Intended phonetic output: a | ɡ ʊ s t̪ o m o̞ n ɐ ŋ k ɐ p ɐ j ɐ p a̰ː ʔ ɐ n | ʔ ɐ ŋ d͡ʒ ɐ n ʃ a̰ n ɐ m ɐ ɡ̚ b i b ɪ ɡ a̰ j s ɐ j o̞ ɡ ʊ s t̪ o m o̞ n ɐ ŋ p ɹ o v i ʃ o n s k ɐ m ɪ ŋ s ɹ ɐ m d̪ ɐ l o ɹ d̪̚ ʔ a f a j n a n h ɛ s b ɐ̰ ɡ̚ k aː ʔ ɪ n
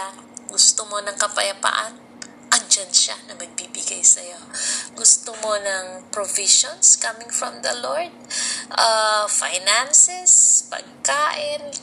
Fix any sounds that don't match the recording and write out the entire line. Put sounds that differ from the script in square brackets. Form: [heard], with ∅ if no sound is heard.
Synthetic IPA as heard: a | ɡ ʊ s t̪ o m o̞ n ɐ ŋ k ɐ p ɐ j ɐ p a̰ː ʔ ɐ n | ʔ ɐ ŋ d͡ʒ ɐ n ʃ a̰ n ɐ m ɐ ɡ̚ b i b ɪ ɡ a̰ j s ɐ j o̞ ɡ ʊ s t̪ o m o̞ n ɐ ŋ p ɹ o v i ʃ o n s k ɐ m ɪ ŋ [f] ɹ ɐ m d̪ ɐ l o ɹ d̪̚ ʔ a f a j n a n [s] ɛ s [p] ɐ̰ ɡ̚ k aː ʔ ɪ n